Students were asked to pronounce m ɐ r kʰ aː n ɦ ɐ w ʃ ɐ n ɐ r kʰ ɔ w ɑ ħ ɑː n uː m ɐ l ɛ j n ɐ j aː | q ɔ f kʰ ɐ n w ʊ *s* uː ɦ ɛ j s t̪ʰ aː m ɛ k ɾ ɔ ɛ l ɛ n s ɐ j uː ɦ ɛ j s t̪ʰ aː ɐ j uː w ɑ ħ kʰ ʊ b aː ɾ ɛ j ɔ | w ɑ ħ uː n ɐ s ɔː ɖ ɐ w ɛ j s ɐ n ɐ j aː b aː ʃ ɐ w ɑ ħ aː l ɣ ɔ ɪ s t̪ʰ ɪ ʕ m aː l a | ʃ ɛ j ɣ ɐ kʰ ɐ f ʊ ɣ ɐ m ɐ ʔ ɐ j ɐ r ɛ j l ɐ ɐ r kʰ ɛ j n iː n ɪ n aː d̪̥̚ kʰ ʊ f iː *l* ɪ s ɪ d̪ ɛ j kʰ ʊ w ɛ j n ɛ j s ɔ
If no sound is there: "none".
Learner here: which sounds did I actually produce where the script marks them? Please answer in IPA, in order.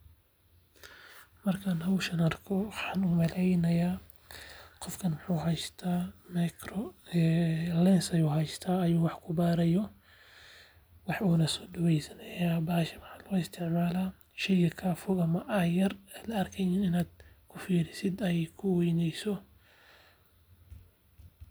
ħ, ɾ

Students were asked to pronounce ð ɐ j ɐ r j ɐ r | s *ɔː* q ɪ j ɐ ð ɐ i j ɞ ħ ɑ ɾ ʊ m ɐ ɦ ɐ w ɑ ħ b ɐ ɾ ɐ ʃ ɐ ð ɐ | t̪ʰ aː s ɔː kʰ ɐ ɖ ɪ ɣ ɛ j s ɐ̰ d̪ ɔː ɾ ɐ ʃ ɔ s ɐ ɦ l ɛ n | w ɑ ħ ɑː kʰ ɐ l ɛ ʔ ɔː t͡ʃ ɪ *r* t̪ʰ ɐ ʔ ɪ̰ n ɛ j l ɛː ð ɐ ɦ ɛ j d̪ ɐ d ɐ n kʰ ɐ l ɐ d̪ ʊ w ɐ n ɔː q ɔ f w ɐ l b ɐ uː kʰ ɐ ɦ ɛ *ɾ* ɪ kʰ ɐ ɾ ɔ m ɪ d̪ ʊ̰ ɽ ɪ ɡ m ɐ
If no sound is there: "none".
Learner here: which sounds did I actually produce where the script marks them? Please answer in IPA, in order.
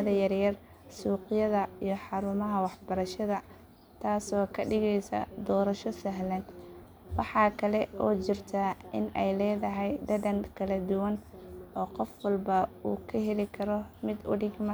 uː, r, l

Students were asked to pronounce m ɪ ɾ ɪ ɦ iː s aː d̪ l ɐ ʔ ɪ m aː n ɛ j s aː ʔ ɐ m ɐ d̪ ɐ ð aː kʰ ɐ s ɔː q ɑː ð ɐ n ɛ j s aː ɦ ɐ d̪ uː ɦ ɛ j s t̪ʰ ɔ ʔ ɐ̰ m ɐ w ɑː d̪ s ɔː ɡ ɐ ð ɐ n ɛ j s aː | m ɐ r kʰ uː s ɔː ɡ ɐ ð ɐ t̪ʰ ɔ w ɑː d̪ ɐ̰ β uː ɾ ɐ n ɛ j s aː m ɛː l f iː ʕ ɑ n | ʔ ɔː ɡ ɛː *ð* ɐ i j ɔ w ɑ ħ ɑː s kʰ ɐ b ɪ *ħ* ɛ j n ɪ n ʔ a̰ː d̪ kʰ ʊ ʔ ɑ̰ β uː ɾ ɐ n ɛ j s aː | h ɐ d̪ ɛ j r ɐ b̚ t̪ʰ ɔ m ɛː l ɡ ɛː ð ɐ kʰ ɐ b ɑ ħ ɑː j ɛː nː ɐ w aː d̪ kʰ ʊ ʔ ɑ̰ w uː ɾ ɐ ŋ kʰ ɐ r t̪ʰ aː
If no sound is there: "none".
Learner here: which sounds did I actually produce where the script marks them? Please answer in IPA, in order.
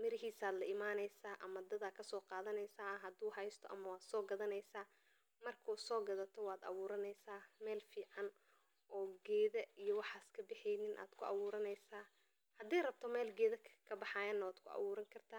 ð, ħ

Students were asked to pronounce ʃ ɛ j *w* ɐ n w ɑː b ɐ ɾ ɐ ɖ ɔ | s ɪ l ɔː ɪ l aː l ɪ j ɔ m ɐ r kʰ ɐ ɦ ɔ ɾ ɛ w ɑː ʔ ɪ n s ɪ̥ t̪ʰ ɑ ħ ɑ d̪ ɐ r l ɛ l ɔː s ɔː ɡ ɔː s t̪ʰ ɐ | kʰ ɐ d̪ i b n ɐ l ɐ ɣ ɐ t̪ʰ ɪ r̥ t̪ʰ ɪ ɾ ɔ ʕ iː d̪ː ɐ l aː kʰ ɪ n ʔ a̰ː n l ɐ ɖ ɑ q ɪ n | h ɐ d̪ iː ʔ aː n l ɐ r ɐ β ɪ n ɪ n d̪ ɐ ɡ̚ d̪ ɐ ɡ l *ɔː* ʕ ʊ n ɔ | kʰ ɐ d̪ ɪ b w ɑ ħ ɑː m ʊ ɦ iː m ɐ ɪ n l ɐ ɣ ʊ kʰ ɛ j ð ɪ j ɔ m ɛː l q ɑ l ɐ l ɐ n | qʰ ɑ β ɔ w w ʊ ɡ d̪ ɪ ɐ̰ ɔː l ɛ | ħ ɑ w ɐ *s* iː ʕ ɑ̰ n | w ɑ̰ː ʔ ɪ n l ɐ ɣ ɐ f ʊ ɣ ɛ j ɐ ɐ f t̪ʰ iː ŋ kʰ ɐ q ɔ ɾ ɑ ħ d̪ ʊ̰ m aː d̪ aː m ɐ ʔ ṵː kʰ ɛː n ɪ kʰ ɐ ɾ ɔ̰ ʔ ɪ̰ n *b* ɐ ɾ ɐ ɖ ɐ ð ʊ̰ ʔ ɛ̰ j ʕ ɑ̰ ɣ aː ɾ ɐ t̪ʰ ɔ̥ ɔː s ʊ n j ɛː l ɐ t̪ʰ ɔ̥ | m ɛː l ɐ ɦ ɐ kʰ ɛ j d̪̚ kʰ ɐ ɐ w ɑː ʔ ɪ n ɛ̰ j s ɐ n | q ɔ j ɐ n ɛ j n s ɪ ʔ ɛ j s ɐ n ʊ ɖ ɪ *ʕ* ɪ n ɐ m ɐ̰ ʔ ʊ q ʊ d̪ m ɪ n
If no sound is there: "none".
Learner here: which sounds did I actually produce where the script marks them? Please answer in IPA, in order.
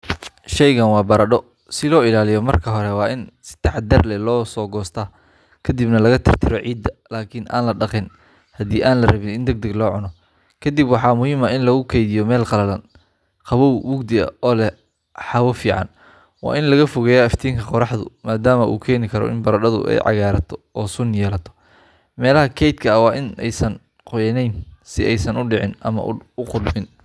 ɣ, ɔː, f, b, ʕ

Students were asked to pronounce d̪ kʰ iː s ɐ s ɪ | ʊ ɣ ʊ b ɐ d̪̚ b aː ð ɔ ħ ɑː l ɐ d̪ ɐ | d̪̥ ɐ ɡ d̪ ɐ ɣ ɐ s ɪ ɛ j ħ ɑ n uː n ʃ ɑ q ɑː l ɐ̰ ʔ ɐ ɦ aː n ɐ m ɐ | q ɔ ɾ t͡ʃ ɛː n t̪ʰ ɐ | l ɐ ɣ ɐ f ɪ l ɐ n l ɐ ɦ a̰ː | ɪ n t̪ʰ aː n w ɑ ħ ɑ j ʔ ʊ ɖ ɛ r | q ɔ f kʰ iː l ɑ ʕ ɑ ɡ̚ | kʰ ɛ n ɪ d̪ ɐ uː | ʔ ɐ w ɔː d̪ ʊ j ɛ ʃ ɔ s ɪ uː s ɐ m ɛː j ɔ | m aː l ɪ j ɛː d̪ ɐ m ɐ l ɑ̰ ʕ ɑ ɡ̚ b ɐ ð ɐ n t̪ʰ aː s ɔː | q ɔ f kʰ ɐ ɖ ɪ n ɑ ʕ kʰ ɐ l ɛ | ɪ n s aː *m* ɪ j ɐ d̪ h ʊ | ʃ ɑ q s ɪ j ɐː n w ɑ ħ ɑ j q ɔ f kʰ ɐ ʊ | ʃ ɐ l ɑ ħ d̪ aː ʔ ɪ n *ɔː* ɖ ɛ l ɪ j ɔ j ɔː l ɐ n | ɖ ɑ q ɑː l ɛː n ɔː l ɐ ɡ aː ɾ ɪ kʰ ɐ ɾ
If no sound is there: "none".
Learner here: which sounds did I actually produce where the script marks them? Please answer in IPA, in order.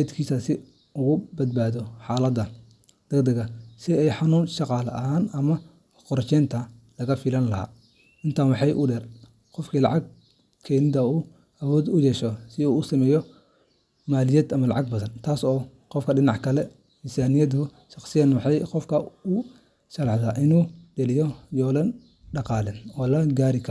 n, uː

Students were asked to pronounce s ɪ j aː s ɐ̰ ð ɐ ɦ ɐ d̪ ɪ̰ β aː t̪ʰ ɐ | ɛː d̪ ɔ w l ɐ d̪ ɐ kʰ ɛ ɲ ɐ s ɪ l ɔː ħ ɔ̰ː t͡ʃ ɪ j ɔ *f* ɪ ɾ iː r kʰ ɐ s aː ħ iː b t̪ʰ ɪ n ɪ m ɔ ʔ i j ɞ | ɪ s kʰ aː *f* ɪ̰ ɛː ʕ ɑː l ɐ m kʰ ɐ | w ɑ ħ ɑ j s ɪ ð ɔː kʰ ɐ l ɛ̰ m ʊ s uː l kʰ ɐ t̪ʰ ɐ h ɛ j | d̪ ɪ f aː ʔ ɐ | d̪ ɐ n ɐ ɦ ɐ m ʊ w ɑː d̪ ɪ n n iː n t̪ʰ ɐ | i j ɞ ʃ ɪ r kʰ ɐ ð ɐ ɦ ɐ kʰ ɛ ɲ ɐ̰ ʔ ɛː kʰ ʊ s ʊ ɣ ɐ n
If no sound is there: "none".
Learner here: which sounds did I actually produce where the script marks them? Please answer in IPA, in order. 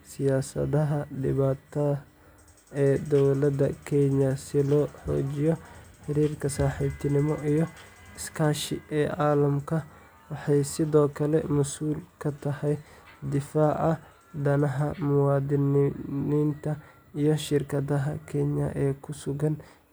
ħ, ʃ

